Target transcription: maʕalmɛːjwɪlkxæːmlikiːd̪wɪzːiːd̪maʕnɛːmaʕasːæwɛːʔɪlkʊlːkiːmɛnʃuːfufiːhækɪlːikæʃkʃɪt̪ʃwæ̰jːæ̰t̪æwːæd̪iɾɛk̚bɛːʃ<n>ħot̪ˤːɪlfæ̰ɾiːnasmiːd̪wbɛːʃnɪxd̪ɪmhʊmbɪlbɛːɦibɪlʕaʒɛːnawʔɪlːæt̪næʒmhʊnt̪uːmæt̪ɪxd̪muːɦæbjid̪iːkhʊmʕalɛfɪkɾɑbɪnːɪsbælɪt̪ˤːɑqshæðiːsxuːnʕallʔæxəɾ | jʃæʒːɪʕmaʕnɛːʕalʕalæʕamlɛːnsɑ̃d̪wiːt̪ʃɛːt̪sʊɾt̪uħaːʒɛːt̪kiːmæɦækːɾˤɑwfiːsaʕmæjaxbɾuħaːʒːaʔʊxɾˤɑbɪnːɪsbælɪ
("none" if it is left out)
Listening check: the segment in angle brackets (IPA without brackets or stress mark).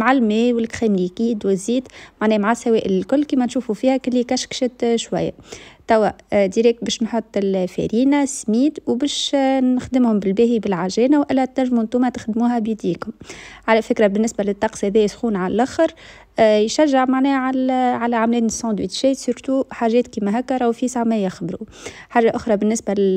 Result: n